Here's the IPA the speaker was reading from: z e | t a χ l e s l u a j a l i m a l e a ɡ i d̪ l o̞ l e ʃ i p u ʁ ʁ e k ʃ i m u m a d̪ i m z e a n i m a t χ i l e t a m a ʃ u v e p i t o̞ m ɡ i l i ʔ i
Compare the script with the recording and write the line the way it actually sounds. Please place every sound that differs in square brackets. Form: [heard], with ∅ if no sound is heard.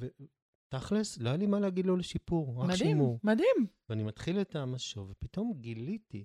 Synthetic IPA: [v] e | t a χ l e s l [o] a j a l i m a l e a ɡ i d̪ l o̞ l e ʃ i p u ʁ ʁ [a] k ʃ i m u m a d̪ i m [v] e a n i m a t χ i l e t a m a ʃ [o] v e p i t o̞ m ɡ i l i [t] i